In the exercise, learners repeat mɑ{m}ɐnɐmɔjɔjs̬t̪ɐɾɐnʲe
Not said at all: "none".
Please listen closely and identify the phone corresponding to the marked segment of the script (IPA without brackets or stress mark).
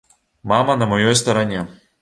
m